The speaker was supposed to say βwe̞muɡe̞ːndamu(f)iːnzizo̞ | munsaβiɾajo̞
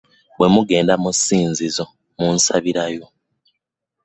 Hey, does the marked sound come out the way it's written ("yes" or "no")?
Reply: no